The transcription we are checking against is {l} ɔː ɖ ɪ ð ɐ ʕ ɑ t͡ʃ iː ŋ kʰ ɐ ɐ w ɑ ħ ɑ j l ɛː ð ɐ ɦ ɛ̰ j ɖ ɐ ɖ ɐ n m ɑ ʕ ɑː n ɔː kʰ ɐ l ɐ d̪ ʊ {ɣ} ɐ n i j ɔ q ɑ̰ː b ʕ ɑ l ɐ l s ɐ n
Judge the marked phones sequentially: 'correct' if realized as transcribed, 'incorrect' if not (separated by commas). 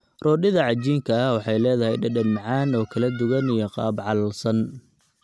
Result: incorrect, correct